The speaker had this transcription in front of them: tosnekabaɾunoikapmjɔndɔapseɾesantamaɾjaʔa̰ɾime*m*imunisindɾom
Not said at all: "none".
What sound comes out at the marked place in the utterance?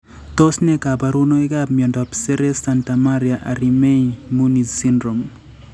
none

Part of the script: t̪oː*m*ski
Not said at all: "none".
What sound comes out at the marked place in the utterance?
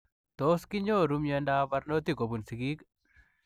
none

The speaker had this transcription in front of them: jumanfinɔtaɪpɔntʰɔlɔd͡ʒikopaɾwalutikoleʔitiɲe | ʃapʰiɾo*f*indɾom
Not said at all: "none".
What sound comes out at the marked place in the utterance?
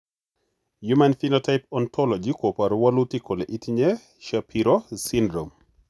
s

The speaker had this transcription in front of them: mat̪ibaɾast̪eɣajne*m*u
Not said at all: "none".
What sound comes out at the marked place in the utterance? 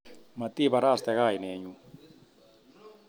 ɲ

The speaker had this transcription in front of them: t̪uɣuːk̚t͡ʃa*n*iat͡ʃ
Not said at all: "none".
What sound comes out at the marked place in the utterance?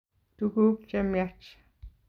m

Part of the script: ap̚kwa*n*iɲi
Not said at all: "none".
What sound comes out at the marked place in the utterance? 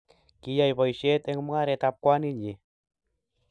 n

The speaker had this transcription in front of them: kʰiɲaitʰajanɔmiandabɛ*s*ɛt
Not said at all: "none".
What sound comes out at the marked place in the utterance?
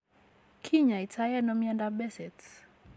s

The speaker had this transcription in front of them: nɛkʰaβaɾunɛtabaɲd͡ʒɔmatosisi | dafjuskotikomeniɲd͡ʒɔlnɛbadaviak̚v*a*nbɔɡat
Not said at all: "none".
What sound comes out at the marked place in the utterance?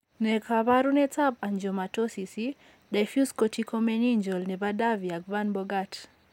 a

